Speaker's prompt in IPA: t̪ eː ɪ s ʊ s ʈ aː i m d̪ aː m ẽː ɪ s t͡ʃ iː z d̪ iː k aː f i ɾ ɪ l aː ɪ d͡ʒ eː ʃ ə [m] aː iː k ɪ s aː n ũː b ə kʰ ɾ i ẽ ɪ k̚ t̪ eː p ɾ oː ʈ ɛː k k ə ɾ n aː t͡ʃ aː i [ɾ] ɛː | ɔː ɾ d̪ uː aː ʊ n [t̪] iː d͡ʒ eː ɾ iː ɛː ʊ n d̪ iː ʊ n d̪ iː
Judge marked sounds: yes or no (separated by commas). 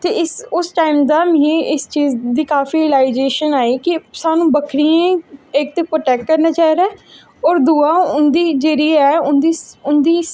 no, yes, no